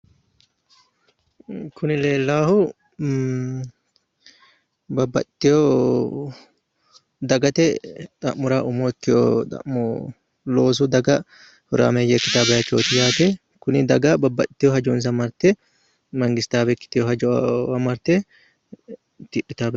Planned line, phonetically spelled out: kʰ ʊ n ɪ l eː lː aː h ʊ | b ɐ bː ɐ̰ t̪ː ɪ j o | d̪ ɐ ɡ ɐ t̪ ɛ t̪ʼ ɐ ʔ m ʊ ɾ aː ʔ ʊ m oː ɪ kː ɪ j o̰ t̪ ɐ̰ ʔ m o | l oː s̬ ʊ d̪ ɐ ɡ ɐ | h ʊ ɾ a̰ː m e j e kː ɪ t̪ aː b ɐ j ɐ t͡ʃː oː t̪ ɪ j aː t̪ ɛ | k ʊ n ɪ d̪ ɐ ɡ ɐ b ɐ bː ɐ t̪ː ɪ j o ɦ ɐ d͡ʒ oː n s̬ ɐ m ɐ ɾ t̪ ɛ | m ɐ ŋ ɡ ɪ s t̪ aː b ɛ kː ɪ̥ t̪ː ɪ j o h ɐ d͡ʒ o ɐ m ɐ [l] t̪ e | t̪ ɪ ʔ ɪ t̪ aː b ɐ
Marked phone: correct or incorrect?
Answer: incorrect: ɾ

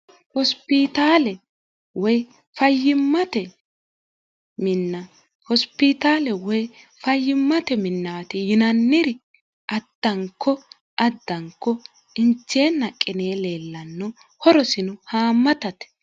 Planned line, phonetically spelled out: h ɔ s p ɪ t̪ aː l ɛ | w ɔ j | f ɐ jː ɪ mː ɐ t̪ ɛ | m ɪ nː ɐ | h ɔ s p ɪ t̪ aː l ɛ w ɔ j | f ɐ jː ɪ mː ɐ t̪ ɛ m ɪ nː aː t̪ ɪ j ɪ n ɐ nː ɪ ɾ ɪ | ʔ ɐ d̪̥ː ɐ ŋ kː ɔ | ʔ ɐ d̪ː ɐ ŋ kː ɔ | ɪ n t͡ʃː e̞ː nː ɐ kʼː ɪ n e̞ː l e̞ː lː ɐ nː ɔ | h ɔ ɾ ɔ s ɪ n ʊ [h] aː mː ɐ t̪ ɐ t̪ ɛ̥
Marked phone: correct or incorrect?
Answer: correct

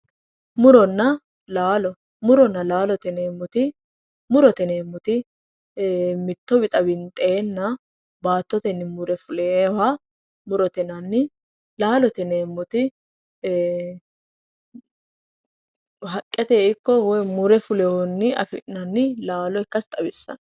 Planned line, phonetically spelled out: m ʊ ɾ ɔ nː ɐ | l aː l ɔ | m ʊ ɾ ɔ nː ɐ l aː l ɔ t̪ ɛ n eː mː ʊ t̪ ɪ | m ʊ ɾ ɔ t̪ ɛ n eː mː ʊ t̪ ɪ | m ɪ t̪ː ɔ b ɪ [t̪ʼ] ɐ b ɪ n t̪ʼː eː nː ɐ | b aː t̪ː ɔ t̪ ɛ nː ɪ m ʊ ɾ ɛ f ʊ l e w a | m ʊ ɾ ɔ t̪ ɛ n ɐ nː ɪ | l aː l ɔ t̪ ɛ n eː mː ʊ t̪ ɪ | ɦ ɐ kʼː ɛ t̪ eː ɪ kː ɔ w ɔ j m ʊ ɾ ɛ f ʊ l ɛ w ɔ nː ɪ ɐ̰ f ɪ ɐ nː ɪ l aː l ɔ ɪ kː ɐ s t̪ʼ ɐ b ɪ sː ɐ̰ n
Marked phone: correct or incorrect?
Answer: correct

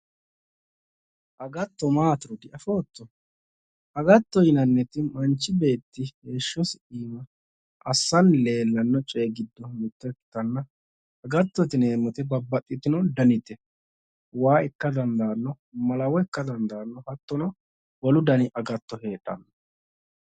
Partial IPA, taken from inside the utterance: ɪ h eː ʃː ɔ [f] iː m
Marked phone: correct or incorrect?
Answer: incorrect: s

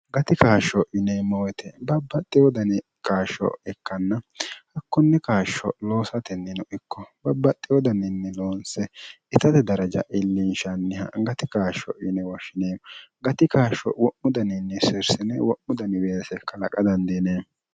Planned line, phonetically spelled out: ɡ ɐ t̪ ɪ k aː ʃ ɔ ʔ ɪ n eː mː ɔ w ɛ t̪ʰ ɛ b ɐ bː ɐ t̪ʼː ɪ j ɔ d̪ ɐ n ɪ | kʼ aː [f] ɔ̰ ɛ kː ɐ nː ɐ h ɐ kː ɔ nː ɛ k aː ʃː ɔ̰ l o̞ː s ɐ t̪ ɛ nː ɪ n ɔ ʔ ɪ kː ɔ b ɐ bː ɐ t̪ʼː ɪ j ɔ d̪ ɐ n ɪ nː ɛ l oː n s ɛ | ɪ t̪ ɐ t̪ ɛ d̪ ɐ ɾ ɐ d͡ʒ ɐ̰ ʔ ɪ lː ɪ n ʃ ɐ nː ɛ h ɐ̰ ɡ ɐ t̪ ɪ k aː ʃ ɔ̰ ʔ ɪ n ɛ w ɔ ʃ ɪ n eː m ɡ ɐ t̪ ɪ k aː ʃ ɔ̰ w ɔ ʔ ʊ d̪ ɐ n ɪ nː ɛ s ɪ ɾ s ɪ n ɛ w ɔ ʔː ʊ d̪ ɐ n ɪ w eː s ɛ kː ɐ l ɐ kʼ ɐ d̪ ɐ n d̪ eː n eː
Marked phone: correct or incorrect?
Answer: incorrect: ʃ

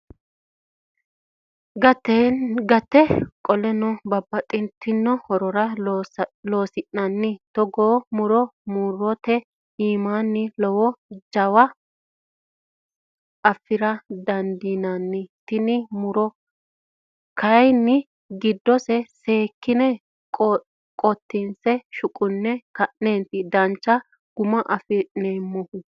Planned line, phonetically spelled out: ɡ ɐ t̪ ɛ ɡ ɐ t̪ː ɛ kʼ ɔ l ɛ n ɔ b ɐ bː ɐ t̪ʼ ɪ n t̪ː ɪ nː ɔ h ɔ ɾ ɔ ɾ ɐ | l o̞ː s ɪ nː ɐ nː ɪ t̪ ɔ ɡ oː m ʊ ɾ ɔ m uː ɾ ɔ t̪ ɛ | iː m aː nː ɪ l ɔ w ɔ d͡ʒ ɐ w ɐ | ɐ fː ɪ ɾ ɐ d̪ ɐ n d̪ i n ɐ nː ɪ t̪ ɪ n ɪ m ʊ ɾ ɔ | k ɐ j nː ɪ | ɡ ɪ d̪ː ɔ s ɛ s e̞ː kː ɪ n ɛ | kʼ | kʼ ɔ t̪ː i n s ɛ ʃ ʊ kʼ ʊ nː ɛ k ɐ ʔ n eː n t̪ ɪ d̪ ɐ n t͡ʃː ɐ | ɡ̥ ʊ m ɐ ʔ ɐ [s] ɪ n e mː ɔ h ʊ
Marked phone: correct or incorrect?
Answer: incorrect: f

